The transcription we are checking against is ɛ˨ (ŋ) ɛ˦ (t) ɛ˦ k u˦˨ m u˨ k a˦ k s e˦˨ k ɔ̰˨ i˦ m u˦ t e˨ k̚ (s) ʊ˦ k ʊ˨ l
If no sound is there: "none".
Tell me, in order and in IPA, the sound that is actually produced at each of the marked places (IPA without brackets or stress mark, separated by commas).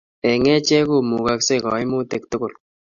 ŋ, t͡ʃ, t